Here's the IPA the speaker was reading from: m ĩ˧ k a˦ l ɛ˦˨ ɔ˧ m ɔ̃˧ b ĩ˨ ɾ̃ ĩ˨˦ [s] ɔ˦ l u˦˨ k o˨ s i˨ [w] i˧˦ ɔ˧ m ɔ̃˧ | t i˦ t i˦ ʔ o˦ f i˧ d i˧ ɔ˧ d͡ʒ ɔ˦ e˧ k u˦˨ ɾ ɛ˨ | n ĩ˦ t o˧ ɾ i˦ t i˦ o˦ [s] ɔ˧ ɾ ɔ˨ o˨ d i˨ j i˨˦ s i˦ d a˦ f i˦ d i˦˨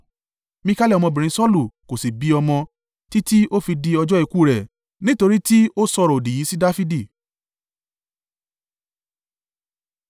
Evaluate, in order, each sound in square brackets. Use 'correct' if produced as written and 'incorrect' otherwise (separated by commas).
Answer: correct, incorrect, correct